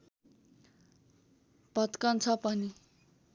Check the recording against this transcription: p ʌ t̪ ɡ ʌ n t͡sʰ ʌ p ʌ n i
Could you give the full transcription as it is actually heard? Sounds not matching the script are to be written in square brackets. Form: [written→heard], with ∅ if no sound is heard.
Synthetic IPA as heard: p ʌ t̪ [ɡ→k] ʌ n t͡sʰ ʌ p ʌ n i